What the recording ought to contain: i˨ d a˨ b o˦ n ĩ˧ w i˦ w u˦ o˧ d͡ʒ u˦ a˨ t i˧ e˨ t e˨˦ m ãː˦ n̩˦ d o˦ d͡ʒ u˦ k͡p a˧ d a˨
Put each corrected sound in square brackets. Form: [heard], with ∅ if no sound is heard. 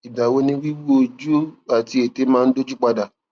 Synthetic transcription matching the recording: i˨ d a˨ [w] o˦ n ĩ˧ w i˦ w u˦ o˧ d͡ʒ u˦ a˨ t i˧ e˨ t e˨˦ m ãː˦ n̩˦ d o˦ d͡ʒ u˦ k͡p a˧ d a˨